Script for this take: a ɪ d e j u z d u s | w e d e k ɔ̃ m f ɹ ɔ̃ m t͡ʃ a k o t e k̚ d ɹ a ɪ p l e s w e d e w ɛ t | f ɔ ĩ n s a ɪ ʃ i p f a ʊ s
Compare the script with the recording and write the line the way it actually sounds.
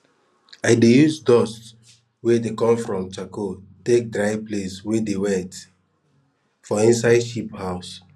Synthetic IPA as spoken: a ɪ d e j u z d ɔ s | w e d e k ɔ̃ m f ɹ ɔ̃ m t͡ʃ a k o t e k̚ d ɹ a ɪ p l e s w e d e w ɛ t | f ɔ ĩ n s a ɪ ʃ i p h a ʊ s